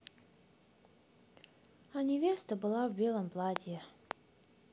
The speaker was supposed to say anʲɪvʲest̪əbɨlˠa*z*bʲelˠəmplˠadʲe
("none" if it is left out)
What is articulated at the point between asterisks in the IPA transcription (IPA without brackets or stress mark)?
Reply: v